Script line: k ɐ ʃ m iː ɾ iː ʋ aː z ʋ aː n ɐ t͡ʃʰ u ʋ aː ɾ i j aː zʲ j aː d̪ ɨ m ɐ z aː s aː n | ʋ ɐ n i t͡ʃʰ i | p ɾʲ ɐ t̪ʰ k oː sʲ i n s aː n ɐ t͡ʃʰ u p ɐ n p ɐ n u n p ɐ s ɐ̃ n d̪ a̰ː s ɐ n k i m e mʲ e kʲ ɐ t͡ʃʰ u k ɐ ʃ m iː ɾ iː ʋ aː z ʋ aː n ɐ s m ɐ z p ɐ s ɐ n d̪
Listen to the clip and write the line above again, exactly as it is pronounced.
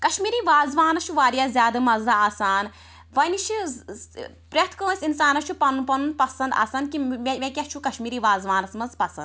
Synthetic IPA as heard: k ɐ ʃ m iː ɾ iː ʋ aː z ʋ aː n ɐ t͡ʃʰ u ʋ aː ɾ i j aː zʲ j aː d̪ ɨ m ɐ z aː s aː n | ʋ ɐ n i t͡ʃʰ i | p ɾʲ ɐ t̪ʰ k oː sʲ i n s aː n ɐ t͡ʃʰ u p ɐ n p ɐ n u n p ɐ s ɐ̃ n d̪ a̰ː s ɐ n k i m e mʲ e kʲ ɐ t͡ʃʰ u k ɐ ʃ m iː ɾ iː ʋ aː z ʋ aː n ɐ s m ɐ z p ɐ s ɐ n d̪